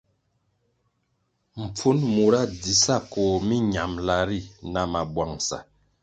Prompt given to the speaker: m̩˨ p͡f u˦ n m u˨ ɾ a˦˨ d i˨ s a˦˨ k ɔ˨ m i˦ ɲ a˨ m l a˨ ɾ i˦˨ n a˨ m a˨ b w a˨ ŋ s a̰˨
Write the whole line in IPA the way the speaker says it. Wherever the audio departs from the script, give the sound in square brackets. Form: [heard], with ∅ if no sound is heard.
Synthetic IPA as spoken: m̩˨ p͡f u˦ n m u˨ ɾ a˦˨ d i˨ s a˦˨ k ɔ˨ m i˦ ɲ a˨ m l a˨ ɾ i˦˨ n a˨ m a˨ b w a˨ ŋ s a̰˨